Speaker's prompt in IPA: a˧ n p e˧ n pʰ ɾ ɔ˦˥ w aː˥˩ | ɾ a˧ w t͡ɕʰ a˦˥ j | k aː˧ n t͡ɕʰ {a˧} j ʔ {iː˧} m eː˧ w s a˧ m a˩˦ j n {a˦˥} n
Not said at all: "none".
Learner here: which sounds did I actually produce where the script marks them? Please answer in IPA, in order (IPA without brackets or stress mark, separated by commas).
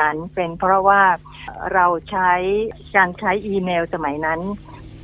a˦˥, iː˧, a˦˥